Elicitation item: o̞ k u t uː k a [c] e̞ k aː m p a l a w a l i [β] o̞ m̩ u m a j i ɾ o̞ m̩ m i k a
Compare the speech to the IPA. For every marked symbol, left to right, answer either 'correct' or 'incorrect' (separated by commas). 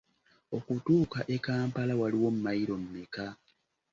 incorrect, incorrect